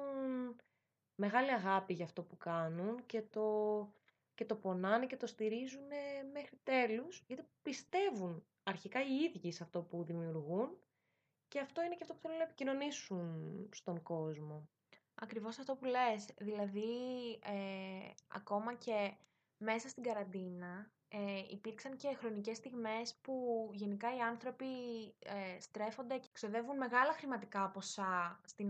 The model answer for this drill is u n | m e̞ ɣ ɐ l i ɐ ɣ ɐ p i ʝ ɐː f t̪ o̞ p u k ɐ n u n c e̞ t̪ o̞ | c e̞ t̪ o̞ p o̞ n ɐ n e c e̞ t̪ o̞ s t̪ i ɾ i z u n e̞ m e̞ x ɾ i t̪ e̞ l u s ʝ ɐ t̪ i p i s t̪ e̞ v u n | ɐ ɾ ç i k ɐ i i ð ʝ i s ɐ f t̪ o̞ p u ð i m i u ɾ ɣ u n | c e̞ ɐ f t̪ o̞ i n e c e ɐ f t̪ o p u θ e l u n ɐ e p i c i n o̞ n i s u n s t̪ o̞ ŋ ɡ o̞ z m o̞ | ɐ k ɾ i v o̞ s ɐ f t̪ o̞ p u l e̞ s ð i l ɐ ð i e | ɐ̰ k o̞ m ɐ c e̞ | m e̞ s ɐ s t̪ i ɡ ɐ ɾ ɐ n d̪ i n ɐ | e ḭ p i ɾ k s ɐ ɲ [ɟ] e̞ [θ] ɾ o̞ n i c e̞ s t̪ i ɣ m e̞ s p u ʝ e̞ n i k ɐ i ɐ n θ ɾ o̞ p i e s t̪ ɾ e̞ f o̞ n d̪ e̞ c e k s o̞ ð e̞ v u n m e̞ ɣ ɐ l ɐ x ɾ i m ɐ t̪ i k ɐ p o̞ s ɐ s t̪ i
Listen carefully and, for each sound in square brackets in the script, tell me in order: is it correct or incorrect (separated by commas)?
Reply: incorrect, incorrect